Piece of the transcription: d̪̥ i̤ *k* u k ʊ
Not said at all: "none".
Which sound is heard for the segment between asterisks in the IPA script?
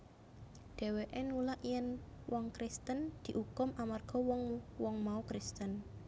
ʔ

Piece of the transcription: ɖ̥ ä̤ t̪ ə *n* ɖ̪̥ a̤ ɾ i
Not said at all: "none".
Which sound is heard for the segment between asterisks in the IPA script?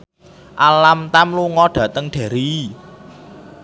ŋ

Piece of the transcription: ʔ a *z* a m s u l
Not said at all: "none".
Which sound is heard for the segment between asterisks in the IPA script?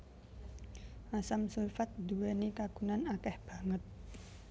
s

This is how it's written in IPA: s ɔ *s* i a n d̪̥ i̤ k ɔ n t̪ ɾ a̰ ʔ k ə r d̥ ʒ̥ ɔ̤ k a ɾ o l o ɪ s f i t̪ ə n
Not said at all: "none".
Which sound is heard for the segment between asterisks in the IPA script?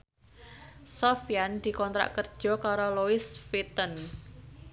f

